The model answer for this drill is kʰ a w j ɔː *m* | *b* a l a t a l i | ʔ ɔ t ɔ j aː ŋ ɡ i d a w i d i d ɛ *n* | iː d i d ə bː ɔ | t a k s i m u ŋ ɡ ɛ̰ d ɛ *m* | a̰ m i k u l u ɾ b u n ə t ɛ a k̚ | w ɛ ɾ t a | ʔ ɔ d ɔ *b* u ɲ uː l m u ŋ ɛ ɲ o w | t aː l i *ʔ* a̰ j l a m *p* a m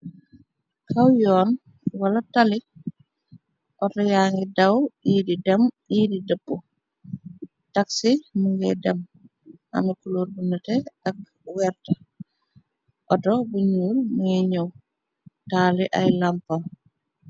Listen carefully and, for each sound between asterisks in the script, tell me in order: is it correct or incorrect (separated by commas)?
incorrect, incorrect, incorrect, correct, correct, correct, correct